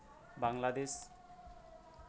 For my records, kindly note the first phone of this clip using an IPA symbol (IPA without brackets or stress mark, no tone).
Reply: b